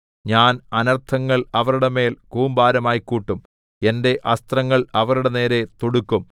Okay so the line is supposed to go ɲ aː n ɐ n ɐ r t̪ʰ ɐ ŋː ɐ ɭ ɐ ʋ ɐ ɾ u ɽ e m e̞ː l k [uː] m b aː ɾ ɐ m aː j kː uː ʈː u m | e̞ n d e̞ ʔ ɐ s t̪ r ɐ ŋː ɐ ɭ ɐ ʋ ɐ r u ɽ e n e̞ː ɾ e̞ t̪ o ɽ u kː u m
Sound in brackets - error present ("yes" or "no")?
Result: no